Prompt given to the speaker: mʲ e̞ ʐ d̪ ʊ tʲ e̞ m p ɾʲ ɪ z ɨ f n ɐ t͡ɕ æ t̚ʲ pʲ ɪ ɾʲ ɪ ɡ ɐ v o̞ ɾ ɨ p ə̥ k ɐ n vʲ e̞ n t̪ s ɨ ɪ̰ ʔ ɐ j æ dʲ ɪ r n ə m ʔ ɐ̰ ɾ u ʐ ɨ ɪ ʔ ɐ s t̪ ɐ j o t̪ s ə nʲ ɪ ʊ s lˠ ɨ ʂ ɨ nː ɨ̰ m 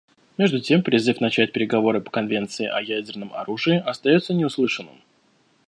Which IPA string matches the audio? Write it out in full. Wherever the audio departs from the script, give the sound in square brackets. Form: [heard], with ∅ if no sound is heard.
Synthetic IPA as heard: mʲ e̞ ʐ d̪ ʊ tʲ e̞ m p ɾʲ ɪ z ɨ f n ɐ t͡ɕ æ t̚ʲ pʲ ɪ ɾʲ ɪ ɡ ɐ v o̞ ɾ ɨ p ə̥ k ɐ n vʲ e̞ n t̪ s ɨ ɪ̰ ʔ ɐ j æ dʲ ɪ r n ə m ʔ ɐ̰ ɾ u ʐ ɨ ɪ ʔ ɐ s t̪ ɐ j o t̪ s ə nʲ ɪ ʊ s lˠ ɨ ʂ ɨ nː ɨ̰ m